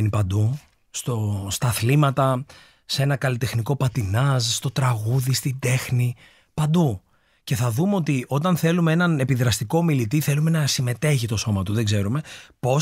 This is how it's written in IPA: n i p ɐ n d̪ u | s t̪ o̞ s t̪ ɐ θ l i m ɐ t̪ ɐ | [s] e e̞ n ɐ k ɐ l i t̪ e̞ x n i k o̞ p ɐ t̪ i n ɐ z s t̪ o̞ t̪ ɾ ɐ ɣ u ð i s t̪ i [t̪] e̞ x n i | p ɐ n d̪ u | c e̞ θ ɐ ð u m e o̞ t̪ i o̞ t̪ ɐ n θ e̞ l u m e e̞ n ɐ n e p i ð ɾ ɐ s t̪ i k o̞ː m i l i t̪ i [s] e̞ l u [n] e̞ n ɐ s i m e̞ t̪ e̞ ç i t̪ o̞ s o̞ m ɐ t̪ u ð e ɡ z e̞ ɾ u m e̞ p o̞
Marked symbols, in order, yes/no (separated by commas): yes, no, no, no